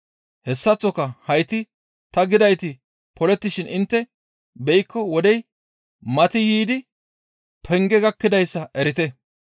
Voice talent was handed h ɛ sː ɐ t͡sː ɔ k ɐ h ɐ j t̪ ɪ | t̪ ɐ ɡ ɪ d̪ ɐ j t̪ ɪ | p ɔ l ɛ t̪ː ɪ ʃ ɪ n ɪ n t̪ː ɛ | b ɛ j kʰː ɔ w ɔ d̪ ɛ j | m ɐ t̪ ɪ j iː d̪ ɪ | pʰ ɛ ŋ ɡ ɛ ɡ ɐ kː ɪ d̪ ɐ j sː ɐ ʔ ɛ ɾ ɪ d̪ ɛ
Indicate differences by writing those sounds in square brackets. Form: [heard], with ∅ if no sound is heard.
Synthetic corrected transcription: h ɛ sː ɐ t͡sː ɔ k ɐ h ɐ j t̪ ɪ | t̪ ɐ ɡ ɪ d̪ ɐ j t̪ ɪ | p ɔ l ɛ t̪ː ɪ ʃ ɪ n ɪ n t̪ː ɛ | b ɛ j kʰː ɔ w ɔ d̪ ɛ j | m ɐ t̪ ɪ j iː d̪ ɪ | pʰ ɛ ŋ ɡ ɛ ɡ ɐ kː ɪ d̪ ɐ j sː ɐ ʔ ɛ ɾ ɪ [t̪] ɛ